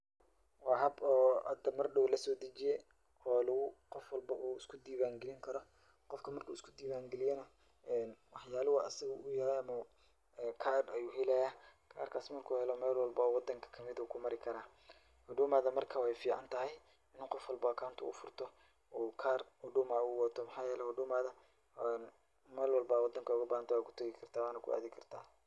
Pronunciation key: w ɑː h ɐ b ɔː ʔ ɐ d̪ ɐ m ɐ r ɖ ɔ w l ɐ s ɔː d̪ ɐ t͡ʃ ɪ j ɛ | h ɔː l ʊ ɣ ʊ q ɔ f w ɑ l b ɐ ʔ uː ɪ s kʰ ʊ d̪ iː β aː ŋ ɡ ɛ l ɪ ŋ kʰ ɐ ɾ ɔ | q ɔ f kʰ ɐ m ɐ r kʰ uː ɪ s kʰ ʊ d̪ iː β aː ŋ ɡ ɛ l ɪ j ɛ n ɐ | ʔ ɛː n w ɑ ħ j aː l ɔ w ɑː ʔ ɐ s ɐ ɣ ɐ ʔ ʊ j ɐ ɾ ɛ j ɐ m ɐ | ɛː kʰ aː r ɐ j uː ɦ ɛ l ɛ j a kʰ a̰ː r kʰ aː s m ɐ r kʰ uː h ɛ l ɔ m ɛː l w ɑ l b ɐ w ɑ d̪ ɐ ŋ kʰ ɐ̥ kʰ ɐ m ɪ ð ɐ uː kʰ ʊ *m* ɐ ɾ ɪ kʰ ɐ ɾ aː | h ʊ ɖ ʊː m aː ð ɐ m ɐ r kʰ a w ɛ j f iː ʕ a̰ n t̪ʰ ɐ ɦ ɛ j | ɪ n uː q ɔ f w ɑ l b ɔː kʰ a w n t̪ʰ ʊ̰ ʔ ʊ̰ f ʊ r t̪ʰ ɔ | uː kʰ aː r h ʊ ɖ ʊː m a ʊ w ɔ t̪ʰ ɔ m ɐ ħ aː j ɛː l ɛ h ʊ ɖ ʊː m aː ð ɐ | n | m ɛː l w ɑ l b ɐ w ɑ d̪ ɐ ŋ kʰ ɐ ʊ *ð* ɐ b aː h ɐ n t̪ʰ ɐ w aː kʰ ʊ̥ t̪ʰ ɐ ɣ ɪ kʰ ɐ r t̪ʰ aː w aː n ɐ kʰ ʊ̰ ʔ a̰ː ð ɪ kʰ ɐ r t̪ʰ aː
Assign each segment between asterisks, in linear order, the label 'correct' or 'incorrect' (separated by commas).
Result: correct, incorrect